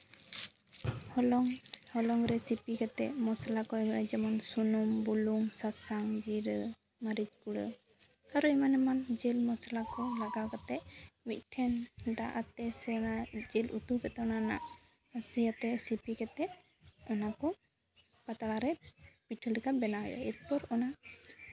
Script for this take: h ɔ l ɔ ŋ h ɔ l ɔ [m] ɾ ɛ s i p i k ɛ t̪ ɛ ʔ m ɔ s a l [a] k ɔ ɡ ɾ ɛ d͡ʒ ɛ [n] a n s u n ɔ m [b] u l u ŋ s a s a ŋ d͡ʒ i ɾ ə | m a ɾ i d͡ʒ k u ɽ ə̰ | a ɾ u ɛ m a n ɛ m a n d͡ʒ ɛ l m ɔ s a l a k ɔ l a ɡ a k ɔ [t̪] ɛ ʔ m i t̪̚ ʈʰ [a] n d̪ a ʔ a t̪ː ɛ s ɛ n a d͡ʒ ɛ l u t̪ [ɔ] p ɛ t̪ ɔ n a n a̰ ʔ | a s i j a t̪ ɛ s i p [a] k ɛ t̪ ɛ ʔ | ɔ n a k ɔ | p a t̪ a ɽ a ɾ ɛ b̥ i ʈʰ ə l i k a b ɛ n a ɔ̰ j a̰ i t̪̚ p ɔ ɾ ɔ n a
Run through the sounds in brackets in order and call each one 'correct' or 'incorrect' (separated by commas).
incorrect, correct, incorrect, correct, correct, incorrect, incorrect, incorrect